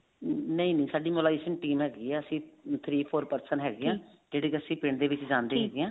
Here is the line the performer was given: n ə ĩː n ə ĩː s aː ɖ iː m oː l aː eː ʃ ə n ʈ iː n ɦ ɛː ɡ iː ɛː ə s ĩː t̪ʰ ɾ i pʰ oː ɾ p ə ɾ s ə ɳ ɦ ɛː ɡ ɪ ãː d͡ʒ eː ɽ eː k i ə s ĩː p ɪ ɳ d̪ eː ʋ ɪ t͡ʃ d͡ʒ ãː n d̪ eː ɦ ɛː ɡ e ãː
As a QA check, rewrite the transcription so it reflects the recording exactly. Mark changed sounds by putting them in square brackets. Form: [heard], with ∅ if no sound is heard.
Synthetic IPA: n ə ĩː n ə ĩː s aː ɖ iː m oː l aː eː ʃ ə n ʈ iː [m] ɦ ɛː ɡ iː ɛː ə s ĩː t̪ʰ ɾ [iː] pʰ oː ɾ p ə ɾ s ə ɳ ɦ ɛː ɡ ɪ ãː d͡ʒ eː ɽ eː k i ə s ĩː p ɪ ɳ d̪ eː ʋ ɪ t͡ʃ d͡ʒ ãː n d̪ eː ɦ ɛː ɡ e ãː